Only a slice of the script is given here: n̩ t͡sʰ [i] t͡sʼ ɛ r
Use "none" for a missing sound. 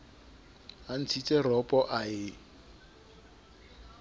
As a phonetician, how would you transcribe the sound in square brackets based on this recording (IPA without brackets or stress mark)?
i